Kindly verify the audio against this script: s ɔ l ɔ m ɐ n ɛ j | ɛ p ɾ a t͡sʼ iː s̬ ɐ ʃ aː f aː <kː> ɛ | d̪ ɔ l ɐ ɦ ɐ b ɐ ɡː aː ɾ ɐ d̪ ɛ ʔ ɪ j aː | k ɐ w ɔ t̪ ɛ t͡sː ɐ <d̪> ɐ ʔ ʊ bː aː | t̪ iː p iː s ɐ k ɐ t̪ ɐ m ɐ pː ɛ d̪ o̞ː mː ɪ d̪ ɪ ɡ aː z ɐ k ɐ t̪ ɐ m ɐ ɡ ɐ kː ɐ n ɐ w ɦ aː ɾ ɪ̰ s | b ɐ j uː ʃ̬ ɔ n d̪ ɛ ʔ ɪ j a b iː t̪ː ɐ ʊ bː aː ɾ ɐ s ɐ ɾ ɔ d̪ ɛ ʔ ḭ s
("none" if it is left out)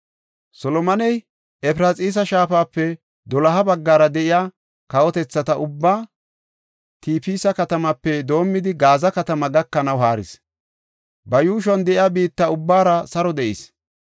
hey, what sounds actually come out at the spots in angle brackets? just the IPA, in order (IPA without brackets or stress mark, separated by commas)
pː, t̪